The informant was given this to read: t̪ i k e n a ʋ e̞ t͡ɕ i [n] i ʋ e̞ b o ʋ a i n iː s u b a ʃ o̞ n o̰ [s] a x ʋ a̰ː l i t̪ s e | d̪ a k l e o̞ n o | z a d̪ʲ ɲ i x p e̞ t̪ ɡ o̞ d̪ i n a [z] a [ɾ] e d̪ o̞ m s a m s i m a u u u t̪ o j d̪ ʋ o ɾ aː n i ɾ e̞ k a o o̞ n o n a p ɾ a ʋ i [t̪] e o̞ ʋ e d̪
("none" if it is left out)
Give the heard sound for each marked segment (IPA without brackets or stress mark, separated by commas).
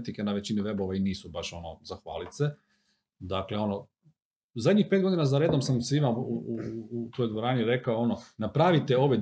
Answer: n, z, z, ɾ, t̪